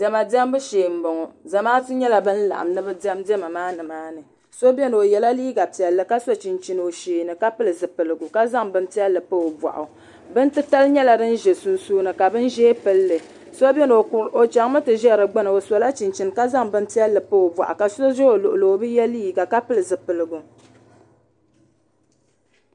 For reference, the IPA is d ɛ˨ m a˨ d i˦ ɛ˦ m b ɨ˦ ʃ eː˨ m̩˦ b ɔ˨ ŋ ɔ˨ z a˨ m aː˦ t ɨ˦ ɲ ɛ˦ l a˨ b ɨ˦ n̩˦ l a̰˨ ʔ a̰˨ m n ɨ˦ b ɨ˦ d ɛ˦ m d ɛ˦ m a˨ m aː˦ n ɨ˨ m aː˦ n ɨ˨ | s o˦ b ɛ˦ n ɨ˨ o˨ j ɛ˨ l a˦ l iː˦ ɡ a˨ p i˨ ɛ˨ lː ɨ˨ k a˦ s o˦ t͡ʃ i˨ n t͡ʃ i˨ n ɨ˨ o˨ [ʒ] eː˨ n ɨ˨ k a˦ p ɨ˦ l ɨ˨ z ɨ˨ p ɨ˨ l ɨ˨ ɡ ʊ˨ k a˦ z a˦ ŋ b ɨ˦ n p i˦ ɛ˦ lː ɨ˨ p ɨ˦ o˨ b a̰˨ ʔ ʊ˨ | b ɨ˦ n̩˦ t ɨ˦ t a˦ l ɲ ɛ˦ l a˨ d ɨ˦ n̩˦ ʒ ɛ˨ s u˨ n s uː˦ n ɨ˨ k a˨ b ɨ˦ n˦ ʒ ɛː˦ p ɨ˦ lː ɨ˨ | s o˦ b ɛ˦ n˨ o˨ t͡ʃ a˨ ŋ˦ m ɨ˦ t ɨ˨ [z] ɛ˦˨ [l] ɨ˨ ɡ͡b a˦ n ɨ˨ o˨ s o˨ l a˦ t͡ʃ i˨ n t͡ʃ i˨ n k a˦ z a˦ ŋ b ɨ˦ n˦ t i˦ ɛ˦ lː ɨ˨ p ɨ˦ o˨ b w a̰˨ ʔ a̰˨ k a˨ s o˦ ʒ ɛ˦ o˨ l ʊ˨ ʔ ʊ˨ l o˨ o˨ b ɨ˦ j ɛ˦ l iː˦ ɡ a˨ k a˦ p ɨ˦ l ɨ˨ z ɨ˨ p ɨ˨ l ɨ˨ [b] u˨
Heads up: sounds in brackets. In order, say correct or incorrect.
incorrect: ʃ, incorrect: ʒ, incorrect: ɾ, incorrect: ɡ

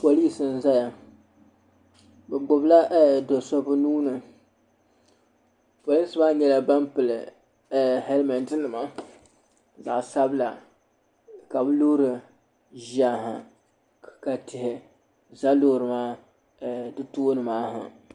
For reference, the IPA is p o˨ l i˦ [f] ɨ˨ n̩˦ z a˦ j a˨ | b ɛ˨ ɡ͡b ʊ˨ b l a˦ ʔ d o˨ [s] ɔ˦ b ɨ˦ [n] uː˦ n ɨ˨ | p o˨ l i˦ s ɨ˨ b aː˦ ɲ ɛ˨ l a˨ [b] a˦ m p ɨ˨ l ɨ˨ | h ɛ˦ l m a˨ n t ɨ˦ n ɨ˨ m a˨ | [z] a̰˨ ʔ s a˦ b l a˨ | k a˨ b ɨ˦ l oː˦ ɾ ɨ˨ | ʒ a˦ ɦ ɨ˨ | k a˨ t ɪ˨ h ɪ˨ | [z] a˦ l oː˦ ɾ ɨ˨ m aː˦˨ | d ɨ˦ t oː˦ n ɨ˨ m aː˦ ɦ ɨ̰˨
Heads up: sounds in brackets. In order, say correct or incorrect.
incorrect: s, correct, correct, correct, correct, correct

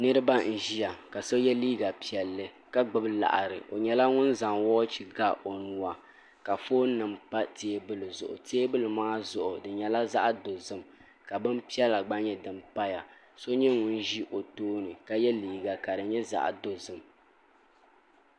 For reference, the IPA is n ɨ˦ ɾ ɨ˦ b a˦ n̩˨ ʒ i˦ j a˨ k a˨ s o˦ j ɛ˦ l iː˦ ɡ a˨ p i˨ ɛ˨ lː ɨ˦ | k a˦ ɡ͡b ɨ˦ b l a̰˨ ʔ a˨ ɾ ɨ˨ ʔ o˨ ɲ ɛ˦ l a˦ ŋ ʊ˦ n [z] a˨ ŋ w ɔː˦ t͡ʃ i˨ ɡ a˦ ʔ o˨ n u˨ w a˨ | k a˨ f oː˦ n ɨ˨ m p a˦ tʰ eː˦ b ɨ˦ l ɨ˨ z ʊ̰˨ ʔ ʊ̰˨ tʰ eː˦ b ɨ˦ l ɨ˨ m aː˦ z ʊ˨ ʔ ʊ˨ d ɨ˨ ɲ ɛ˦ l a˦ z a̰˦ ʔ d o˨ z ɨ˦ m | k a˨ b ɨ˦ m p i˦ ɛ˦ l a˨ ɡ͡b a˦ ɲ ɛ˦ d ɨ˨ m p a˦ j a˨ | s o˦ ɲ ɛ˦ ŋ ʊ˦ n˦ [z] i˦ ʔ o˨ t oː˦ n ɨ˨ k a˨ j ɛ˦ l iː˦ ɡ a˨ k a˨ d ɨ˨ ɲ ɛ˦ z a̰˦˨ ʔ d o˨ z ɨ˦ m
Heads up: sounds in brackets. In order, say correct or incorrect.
correct, incorrect: ʒ

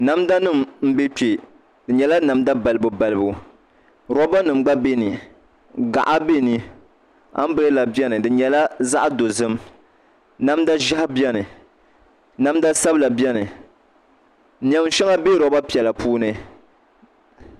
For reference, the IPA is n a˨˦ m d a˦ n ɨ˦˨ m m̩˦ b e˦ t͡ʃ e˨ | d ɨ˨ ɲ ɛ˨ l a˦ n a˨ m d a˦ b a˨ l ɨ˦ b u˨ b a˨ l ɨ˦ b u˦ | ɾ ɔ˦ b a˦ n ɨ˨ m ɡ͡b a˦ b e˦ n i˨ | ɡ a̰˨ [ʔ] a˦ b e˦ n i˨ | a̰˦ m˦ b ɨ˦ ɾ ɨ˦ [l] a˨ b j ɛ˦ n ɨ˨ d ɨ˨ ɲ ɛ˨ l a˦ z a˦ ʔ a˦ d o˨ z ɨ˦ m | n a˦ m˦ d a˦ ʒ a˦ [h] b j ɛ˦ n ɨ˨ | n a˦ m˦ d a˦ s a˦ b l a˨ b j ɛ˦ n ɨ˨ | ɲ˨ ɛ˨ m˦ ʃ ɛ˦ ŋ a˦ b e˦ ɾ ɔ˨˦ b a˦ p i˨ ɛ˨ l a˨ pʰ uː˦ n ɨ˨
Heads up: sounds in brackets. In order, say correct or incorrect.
correct, correct, correct

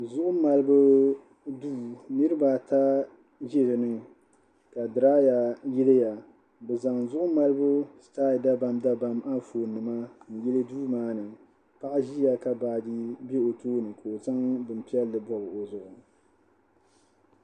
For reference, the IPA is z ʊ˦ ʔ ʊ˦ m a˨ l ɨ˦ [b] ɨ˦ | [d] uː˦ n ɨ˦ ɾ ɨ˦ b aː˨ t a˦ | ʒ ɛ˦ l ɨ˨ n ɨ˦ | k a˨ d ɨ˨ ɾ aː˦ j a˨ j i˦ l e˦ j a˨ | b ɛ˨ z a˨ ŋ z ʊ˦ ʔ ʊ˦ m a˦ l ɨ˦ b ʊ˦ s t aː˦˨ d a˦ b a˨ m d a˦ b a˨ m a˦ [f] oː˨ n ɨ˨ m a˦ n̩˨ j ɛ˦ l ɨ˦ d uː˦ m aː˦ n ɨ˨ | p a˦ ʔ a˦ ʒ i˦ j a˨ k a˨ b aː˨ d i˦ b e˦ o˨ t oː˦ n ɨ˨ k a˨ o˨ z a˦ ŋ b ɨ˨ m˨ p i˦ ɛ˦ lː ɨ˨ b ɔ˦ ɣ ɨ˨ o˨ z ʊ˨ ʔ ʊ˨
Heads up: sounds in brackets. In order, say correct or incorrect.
correct, correct, correct

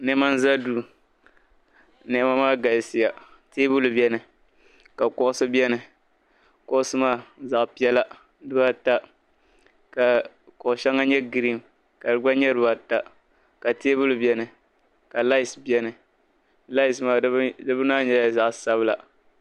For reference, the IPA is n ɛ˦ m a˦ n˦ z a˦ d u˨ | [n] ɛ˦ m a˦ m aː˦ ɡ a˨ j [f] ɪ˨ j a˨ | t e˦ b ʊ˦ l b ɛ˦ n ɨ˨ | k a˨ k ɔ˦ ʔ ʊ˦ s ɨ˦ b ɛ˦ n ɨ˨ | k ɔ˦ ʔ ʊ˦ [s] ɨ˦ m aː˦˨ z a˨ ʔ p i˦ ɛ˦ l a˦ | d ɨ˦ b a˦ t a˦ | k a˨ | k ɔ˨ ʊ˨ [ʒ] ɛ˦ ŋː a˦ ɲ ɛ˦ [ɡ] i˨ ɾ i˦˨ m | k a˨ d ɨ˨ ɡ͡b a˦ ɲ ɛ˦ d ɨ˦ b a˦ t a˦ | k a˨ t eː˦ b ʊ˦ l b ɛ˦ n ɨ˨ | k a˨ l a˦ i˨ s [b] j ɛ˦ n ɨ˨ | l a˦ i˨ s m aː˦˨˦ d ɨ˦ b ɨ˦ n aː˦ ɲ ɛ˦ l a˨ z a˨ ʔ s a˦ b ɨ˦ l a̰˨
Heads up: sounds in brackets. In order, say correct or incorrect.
correct, incorrect: s, correct, incorrect: ʃ, correct, correct

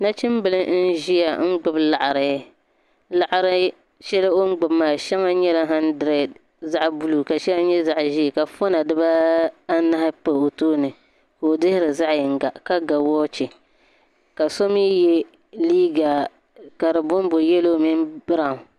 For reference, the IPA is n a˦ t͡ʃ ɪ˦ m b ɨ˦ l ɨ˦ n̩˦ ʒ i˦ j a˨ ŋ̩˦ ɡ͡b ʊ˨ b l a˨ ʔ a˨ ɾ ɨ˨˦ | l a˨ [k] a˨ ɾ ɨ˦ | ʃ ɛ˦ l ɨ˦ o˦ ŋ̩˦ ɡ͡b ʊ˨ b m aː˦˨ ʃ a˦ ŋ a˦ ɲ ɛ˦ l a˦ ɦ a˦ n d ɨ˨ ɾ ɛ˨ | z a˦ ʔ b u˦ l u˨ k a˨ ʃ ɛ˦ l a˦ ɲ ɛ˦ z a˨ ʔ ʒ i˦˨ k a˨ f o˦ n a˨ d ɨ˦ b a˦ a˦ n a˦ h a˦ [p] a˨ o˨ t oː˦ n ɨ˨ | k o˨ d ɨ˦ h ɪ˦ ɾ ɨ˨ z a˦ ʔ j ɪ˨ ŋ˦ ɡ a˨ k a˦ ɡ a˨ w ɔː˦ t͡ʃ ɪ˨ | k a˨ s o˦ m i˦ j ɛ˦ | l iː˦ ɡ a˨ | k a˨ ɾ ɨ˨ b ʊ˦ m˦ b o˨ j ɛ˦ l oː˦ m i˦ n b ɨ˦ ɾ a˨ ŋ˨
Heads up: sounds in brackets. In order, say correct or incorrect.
incorrect: ʔ, correct

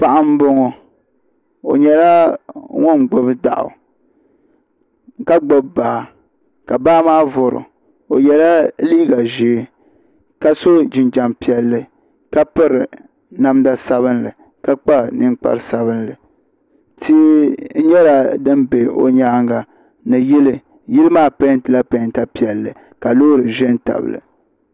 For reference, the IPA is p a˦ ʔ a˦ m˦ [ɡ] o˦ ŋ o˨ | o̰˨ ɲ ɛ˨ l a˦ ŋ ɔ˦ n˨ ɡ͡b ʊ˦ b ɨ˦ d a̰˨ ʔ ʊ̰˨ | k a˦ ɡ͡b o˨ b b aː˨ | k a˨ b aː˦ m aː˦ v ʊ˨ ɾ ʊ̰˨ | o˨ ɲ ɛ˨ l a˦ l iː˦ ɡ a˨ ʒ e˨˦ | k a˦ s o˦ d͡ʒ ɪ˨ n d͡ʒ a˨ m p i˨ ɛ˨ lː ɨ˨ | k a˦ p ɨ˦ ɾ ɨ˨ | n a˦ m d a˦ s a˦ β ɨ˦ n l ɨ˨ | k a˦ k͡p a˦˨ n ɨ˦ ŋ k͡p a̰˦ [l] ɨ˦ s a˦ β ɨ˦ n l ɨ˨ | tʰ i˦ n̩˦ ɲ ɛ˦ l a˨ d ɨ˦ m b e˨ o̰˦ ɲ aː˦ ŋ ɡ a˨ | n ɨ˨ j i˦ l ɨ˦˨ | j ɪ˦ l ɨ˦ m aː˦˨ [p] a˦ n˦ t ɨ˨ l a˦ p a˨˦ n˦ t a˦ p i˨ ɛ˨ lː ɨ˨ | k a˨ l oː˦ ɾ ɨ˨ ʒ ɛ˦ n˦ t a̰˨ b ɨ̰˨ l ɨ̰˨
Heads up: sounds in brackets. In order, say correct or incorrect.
incorrect: b, incorrect: ɾ, correct

